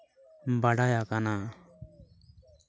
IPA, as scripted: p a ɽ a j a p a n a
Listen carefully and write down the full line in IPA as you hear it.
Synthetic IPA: b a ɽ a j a k a n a